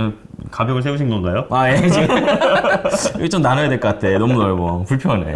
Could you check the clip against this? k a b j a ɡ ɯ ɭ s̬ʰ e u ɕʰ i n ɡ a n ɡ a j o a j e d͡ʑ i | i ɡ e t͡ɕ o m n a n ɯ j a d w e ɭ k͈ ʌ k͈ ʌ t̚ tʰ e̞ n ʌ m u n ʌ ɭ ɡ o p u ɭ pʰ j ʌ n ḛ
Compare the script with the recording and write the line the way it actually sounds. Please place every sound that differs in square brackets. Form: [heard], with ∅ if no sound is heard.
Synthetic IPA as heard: k a b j [ʌ] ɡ ɯ ɭ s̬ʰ e u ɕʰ i n ɡ [ʌ] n ɡ a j o a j e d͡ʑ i | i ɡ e t͡ɕ o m n a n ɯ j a d w e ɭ k͈ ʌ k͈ [a] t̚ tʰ e̞ n ʌ m u n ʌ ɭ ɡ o p u ɭ pʰ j ʌ n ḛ